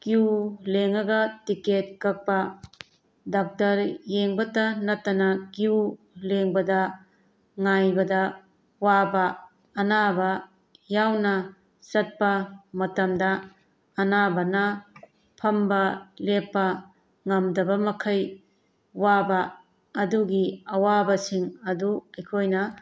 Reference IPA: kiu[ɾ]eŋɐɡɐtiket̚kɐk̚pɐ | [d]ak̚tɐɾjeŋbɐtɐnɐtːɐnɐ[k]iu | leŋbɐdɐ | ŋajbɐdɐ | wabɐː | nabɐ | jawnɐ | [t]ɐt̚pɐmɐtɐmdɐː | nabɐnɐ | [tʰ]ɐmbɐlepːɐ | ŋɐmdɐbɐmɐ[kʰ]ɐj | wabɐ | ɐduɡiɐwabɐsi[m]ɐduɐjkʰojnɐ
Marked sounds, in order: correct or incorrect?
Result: incorrect, correct, correct, incorrect, incorrect, correct, incorrect

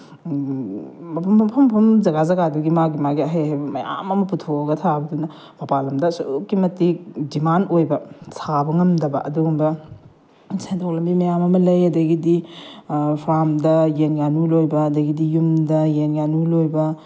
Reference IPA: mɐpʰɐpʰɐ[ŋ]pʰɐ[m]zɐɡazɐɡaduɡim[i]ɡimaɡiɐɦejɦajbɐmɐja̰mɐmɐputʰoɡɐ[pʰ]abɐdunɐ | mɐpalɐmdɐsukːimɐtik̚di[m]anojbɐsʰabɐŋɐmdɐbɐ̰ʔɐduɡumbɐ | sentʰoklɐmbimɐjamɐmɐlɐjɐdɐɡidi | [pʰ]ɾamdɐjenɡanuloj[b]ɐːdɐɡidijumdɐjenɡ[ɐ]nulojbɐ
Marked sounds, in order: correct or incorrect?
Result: incorrect, correct, incorrect, incorrect, correct, correct, correct, incorrect

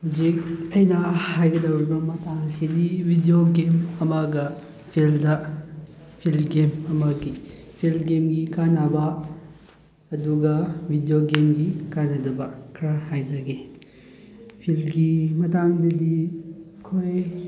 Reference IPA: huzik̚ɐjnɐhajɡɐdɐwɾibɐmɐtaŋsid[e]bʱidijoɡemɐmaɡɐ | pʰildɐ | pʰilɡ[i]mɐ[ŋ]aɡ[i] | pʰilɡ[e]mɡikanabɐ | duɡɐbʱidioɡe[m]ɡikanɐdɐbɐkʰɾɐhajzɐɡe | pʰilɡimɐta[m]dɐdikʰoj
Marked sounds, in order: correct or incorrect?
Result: incorrect, incorrect, incorrect, correct, correct, correct, incorrect

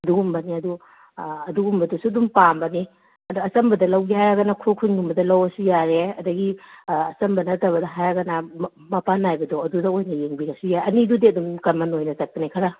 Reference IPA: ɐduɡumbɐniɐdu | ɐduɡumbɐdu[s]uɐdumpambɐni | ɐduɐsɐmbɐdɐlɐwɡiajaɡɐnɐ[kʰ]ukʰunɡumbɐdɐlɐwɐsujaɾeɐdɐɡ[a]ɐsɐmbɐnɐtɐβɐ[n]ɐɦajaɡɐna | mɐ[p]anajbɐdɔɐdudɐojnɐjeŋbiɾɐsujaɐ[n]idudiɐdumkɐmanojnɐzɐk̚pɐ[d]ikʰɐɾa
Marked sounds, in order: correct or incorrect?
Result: correct, correct, incorrect, incorrect, correct, correct, incorrect

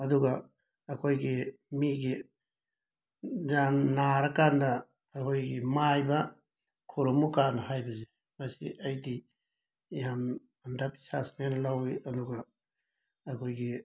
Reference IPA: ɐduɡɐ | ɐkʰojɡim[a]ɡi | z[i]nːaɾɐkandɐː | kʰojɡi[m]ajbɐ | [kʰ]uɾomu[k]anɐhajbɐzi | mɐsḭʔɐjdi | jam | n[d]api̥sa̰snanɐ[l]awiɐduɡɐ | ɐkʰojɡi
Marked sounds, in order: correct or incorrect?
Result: incorrect, incorrect, correct, correct, correct, correct, correct

